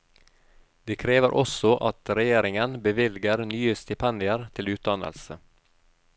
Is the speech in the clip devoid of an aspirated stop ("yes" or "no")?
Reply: no